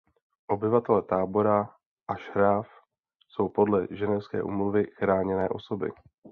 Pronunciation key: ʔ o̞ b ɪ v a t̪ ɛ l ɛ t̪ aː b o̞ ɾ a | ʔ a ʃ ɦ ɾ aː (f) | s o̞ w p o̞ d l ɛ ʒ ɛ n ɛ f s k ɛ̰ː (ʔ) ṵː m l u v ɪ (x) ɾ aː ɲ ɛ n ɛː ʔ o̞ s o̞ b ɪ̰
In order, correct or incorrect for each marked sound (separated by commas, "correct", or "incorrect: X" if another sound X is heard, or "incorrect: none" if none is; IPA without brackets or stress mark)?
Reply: correct, correct, correct